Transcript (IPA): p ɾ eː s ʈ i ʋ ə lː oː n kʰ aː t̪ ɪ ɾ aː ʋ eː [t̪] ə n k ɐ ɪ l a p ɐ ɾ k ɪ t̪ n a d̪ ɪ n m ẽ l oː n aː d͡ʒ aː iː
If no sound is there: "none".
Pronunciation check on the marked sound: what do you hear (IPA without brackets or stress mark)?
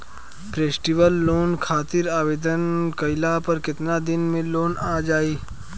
d̪